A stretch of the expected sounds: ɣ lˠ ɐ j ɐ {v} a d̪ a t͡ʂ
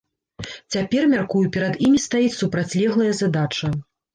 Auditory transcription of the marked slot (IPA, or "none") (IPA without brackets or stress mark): z